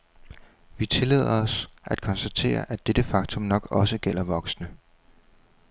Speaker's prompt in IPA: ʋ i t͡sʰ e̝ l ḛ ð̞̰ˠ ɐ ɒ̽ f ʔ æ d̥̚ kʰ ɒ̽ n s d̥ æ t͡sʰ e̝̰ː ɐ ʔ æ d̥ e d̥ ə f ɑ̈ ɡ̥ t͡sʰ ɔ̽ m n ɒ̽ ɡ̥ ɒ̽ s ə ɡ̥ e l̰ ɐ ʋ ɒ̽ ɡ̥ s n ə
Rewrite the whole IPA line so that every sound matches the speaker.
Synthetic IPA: ʋ i t͡sʰ e̝ l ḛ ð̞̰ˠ ɐ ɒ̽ s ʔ æ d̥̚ kʰ ɒ̽ n s d̥ æ t͡sʰ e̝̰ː ɐ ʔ æ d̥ e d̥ ə f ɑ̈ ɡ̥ t͡sʰ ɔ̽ m n ɒ̽ ɡ̥ ɒ̽ s ə ɡ̥ e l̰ ɐ ʋ ɒ̽ ɡ̥ s n ə